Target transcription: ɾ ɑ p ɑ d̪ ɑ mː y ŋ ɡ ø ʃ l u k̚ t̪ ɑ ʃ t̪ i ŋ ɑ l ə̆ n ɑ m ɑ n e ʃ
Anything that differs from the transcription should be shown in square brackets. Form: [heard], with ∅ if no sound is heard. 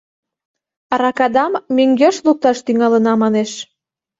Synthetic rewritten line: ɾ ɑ [k] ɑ d̪ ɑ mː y ŋ ɡ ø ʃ l u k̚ t̪ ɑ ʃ t̪ [y] ŋ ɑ l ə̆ n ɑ m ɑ n e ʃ